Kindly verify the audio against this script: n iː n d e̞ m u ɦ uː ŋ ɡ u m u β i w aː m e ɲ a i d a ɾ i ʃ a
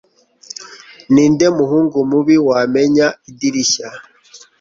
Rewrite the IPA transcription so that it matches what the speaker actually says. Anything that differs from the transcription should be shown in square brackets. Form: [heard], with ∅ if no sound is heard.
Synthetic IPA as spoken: n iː n d e̞ m u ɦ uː ŋ ɡ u m u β i w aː m e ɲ a i d [i] ɾ i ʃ a